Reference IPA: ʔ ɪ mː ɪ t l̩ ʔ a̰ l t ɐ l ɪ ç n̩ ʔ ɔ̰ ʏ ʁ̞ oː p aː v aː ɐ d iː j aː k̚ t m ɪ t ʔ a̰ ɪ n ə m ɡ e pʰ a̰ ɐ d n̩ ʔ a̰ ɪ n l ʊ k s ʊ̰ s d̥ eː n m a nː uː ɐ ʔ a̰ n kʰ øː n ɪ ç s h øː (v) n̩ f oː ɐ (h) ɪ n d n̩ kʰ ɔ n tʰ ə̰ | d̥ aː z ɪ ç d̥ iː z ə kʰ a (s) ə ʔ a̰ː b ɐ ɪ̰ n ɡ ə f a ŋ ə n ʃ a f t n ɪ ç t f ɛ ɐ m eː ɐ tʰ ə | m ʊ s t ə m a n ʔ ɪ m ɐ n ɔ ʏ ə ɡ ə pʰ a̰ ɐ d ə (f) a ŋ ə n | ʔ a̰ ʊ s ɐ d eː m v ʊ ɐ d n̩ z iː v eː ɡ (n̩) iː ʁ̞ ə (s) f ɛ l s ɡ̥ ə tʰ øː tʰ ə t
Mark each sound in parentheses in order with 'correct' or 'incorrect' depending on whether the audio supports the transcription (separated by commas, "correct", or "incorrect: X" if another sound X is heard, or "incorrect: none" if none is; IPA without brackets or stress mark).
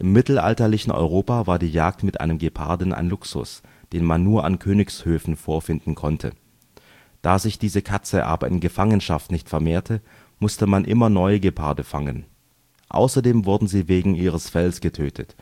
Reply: incorrect: f, incorrect: f, incorrect: t͡s, correct, incorrect: ŋ̩, correct